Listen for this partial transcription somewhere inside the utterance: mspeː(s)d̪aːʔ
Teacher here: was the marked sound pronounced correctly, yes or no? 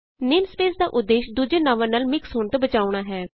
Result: yes